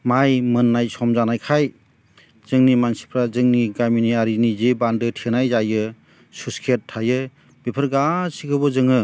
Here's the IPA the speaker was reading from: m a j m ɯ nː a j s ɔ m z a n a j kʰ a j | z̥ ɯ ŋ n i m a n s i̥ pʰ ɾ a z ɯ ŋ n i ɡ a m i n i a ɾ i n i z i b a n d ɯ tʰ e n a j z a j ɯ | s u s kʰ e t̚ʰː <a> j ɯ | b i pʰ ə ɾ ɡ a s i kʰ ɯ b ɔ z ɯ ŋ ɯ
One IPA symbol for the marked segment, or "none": a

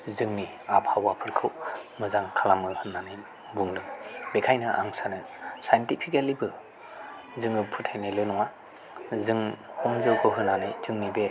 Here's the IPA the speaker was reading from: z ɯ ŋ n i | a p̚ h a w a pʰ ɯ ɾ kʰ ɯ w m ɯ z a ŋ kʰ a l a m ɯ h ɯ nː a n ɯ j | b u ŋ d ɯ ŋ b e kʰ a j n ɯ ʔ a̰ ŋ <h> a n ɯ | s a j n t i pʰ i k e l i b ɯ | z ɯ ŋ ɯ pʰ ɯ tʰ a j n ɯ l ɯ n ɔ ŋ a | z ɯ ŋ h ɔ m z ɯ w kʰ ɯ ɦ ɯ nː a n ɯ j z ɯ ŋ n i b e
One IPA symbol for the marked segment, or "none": s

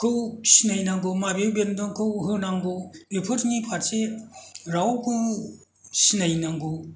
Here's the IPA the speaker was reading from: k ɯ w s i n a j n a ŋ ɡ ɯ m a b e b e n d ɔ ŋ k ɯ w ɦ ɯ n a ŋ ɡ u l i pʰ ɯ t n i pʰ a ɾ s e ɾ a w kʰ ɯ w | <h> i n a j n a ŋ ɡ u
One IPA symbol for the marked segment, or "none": s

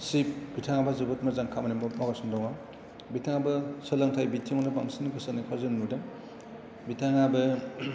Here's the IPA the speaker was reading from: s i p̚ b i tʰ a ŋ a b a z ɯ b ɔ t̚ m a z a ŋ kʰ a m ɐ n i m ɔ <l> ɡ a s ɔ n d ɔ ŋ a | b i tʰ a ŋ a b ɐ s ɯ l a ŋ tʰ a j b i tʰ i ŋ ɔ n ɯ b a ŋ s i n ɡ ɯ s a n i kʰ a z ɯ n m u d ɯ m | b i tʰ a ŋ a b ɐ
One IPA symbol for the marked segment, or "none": none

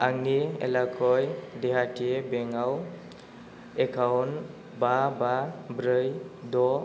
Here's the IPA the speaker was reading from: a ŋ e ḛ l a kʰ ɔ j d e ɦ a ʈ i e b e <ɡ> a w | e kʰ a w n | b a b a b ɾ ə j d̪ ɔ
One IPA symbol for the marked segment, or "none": ŋ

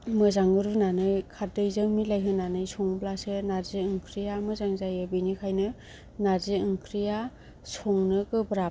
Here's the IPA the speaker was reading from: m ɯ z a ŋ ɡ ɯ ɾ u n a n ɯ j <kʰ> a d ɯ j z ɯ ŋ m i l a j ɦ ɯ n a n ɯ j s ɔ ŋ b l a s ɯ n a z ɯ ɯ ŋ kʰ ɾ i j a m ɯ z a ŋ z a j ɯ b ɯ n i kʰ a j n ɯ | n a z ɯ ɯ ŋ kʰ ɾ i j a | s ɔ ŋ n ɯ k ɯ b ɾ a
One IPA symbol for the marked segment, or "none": kʰ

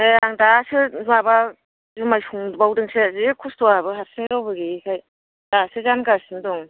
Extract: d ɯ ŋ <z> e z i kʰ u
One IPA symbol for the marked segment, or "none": s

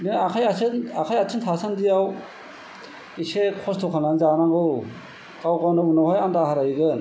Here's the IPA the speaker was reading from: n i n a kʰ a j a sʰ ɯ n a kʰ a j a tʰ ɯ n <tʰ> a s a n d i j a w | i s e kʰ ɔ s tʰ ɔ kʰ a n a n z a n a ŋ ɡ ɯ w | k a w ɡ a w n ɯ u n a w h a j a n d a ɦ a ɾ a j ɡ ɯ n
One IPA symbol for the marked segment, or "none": tʰ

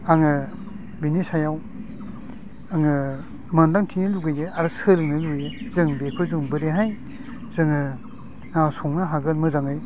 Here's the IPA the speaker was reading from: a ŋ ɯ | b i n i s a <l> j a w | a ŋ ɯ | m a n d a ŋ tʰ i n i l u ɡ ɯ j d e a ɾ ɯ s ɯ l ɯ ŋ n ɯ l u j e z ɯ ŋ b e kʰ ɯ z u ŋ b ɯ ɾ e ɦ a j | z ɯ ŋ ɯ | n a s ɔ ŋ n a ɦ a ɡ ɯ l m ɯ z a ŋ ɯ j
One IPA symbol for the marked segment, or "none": none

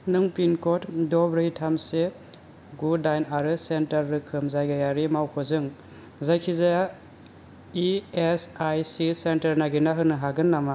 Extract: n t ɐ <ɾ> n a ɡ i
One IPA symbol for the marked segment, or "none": ɾ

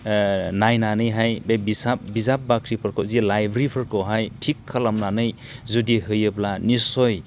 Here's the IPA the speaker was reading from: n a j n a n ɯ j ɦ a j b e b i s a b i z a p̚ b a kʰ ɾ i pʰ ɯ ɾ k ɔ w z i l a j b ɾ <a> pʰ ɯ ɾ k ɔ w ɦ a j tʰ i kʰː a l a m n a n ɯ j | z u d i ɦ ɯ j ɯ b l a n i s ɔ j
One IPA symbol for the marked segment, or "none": i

